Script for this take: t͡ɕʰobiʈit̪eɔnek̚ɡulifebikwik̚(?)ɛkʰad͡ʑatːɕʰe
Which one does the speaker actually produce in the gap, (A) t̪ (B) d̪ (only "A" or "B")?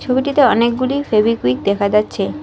B